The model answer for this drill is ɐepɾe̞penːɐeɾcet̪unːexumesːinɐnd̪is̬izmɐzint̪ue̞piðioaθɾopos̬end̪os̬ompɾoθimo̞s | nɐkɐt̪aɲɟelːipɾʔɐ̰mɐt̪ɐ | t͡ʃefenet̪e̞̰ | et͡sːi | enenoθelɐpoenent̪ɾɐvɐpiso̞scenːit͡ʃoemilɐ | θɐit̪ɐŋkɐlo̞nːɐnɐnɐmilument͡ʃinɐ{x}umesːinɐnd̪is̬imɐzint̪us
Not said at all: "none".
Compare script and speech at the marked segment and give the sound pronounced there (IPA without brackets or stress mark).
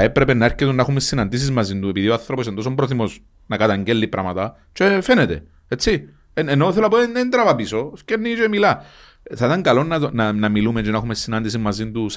x